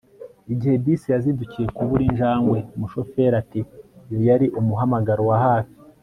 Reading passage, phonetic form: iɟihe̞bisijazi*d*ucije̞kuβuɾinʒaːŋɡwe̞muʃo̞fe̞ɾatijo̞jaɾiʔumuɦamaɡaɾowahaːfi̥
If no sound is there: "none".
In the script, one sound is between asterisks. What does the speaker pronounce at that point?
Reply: d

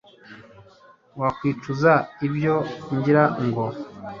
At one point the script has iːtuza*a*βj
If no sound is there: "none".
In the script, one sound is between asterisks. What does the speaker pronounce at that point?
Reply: i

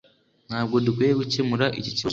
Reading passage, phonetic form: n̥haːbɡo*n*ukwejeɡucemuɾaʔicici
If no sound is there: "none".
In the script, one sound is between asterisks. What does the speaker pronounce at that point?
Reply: d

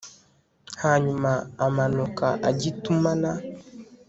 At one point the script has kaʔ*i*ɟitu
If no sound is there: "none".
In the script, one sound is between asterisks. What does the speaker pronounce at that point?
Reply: a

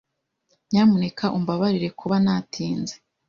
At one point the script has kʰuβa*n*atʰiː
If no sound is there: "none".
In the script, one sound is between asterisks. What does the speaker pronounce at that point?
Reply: n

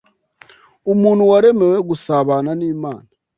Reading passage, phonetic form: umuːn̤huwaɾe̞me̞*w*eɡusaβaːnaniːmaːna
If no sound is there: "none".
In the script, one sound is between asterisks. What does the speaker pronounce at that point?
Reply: w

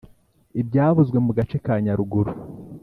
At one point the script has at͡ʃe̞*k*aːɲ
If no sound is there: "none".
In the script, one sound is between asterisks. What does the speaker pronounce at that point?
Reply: k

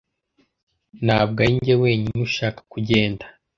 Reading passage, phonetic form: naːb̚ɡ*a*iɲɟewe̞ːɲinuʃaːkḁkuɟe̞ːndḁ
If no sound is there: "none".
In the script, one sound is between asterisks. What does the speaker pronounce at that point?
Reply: a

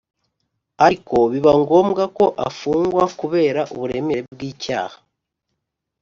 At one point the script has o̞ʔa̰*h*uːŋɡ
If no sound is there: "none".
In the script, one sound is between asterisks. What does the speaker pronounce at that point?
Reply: f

